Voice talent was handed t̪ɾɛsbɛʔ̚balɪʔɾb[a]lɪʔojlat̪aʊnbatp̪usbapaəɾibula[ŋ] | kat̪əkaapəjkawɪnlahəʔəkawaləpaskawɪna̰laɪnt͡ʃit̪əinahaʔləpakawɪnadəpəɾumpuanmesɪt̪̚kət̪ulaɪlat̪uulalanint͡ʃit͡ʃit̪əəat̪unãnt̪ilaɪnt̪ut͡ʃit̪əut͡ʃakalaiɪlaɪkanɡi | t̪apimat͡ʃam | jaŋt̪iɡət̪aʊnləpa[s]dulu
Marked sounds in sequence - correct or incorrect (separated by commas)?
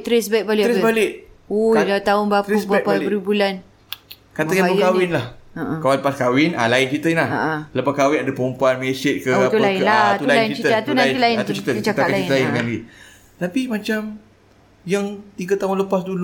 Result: correct, incorrect, correct